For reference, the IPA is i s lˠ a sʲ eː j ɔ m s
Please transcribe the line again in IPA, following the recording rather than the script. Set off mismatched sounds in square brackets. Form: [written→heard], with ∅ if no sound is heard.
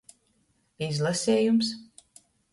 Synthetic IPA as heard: i [s→z] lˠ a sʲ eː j [ɔ→u] m s